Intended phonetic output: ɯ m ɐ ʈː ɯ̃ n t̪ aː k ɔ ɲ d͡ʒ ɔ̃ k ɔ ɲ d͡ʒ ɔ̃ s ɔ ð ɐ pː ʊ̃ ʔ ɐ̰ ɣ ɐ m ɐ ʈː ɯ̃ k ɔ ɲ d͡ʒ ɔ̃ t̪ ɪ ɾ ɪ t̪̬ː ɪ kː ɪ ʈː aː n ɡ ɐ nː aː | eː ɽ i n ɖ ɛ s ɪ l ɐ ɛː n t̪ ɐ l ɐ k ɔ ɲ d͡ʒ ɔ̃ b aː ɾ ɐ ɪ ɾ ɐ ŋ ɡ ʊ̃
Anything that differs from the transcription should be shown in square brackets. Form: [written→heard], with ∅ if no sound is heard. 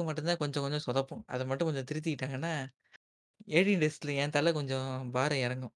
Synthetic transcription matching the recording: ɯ m ɐ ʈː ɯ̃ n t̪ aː k ɔ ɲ d͡ʒ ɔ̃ k ɔ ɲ d͡ʒ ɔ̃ s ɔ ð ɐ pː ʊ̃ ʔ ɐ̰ [ɣ→ð] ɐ m ɐ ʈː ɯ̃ k ɔ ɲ d͡ʒ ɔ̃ t̪ ɪ ɾ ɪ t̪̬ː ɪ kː ɪ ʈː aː [n→ŋ] ɡ ɐ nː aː | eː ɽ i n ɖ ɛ s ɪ l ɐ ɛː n t̪ ɐ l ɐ k ɔ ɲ d͡ʒ ɔ̃ b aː ɾ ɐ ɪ ɾ ɐ ŋ ɡ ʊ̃